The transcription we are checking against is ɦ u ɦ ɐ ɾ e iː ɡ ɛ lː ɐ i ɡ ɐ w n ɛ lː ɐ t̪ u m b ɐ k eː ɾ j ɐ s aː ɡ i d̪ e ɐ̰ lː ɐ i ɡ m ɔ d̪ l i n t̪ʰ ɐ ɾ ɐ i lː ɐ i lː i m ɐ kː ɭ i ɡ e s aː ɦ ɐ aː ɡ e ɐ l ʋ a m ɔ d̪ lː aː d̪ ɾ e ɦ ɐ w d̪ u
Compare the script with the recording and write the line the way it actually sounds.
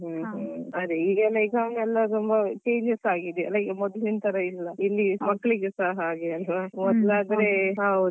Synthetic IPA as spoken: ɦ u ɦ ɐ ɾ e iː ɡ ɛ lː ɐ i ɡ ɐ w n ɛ lː ɐ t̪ u m b ɐ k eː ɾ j ɐ s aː ɡ i d̪ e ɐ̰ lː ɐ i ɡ m ɔ d̪ l i n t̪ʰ ɐ ɾ ɐ i lː ɐ i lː i m ɐ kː ɭ i ɡ e s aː ɦ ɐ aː ɡ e ɐ l ʋ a m ɔ d̪ l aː d̪ ɾ e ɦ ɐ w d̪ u